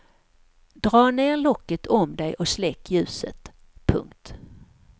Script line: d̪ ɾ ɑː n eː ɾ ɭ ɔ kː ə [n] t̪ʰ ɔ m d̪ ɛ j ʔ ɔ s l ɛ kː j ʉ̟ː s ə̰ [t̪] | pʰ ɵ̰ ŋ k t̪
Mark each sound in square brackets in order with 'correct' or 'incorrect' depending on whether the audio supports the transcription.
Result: incorrect, correct

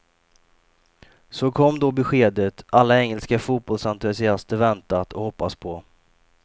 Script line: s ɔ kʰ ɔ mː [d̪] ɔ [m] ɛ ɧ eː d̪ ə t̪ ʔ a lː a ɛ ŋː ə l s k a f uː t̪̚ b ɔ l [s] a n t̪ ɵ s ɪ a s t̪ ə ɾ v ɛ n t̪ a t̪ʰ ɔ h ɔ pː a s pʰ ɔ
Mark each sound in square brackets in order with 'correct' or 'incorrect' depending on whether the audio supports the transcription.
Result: correct, incorrect, correct

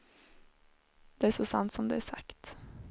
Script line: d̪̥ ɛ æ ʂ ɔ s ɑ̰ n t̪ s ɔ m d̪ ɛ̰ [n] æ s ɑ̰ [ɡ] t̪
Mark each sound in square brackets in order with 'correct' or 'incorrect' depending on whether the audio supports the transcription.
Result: incorrect, incorrect

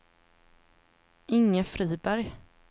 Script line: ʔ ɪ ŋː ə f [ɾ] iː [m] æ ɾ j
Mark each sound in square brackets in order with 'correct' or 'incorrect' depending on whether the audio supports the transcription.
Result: correct, incorrect

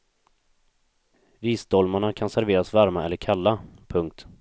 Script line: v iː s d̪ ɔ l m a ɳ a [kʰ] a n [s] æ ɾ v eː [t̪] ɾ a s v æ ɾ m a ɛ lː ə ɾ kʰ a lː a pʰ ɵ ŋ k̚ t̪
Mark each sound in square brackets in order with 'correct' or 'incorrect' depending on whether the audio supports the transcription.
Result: correct, correct, incorrect

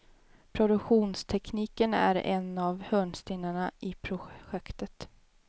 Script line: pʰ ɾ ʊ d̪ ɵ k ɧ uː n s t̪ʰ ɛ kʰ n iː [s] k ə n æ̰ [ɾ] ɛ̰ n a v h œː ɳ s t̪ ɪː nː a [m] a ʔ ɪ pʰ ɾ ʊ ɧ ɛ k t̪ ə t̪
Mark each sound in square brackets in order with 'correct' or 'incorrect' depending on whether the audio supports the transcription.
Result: incorrect, correct, incorrect

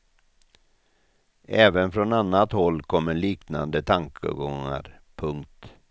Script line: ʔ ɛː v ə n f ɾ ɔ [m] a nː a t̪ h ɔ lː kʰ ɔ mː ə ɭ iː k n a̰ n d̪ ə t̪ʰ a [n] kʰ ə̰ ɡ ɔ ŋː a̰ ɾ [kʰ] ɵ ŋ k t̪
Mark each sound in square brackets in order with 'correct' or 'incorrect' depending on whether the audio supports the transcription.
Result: incorrect, incorrect, incorrect

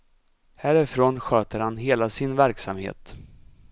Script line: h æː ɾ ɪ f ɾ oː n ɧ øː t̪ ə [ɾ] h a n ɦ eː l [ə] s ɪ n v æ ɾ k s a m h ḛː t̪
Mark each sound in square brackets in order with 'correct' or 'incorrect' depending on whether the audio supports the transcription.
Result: correct, incorrect

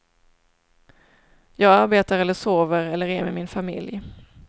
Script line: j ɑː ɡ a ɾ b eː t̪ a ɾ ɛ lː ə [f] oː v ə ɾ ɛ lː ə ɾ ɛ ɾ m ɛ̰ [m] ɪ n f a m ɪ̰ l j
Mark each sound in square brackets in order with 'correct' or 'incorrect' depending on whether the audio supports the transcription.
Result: incorrect, correct

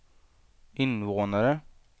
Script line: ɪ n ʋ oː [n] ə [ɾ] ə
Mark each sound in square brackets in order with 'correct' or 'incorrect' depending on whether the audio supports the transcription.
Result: correct, correct

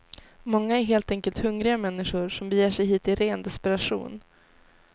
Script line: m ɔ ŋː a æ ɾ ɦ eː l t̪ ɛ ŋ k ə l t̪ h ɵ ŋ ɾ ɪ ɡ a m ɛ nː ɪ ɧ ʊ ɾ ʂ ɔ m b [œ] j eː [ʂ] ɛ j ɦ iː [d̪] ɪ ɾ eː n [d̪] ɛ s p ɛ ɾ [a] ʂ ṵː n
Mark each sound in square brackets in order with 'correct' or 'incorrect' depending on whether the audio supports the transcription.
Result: incorrect, correct, incorrect, correct, correct

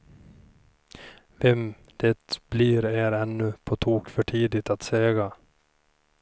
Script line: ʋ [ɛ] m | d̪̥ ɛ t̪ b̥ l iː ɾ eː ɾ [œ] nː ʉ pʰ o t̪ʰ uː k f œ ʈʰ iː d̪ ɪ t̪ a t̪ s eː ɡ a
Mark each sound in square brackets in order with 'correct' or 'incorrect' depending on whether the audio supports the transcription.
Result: correct, incorrect

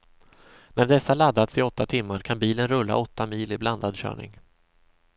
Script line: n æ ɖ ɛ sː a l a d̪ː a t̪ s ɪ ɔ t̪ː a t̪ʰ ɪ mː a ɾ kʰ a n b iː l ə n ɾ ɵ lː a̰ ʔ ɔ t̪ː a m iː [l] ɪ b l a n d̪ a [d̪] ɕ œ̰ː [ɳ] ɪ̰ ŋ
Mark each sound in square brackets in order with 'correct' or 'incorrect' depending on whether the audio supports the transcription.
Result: correct, correct, correct

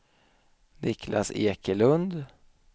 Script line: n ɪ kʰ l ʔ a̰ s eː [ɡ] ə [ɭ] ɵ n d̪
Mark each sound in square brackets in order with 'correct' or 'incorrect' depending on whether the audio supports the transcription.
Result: incorrect, incorrect

